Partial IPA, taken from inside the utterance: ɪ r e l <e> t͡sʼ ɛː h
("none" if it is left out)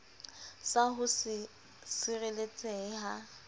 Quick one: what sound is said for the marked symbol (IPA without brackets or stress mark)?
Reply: e